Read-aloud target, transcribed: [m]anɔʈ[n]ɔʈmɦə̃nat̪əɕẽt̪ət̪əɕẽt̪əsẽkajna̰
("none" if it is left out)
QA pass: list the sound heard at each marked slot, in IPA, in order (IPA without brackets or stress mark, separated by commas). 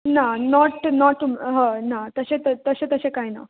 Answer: n, n